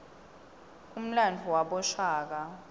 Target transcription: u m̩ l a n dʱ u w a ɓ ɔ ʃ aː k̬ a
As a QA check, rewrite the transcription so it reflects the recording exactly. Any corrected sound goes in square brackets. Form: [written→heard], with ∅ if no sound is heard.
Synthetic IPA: u m̩ l a n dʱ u w a ɓ ɔ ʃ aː k̬ a